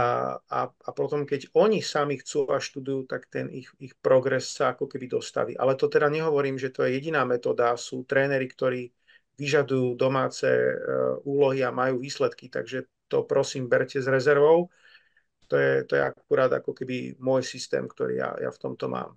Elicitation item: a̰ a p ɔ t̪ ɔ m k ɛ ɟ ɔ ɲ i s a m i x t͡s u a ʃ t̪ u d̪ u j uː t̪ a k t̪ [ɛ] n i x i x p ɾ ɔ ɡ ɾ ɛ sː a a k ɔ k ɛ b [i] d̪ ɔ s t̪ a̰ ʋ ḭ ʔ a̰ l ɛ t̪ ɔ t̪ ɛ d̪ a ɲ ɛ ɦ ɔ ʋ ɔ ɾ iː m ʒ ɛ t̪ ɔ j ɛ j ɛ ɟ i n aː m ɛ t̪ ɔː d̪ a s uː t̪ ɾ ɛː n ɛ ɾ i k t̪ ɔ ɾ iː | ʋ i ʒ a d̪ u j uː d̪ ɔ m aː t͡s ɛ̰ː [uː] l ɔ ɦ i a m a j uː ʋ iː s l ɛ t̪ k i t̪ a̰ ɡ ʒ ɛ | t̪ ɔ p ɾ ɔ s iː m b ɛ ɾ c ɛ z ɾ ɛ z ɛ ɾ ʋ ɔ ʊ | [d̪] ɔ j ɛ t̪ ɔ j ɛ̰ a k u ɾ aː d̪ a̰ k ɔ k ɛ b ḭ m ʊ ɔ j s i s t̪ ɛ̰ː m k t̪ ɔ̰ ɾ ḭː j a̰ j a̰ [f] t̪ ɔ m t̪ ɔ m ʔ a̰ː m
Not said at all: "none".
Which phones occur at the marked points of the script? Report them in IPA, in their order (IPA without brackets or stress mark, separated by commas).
ɛ, i, uː, t̪, f